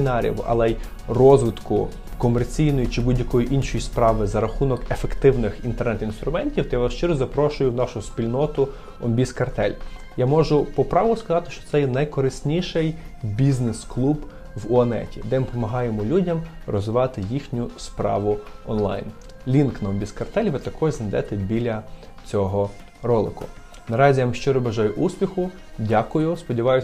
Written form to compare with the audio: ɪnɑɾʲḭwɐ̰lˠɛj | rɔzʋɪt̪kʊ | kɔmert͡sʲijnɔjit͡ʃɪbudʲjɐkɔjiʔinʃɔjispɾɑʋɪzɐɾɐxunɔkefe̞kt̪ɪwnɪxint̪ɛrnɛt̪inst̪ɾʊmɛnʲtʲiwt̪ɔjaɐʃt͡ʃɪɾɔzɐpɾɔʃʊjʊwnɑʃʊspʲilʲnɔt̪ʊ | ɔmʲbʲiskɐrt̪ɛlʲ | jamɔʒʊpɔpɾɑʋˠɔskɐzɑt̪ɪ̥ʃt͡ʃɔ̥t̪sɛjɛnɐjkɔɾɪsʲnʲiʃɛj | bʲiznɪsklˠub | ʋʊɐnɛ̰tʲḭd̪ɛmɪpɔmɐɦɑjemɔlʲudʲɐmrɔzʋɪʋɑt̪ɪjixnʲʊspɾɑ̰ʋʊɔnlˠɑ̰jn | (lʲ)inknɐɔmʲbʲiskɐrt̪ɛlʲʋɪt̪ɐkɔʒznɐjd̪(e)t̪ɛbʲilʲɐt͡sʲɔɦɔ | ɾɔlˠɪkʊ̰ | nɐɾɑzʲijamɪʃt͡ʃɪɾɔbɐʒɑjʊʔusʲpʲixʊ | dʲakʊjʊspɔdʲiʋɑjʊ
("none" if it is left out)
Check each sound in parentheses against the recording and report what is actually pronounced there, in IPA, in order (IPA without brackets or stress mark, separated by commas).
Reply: lʲ, ɛ